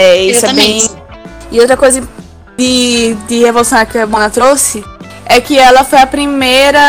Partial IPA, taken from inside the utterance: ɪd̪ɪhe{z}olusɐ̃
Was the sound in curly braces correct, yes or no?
no